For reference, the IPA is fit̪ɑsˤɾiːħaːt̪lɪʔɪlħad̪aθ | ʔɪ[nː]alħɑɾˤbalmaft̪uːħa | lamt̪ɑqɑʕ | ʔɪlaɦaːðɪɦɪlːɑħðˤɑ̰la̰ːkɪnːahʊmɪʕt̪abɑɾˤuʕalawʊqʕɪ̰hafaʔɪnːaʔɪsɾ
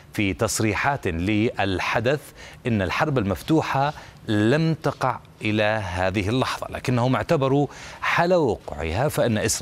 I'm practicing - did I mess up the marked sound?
no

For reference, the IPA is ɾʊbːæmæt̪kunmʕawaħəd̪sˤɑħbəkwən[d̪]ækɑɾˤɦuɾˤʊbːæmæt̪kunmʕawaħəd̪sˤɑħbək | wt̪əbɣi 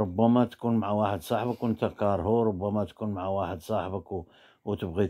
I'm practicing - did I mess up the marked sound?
yes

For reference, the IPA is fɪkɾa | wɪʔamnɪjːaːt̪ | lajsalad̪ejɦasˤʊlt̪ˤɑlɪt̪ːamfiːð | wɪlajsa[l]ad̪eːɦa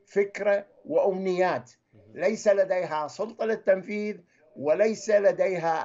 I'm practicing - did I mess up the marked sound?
no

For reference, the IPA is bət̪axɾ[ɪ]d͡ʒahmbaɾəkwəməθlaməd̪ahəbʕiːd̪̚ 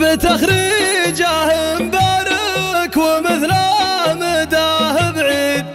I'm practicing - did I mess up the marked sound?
yes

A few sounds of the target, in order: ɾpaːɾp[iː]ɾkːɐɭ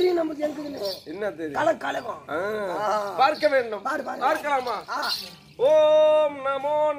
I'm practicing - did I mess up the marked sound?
yes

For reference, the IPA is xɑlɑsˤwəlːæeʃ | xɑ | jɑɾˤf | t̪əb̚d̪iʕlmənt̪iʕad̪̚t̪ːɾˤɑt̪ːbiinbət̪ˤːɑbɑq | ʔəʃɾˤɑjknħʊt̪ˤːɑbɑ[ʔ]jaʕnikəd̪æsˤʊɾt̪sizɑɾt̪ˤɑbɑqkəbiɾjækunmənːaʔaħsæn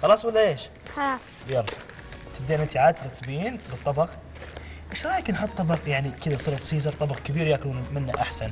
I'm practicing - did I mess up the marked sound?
yes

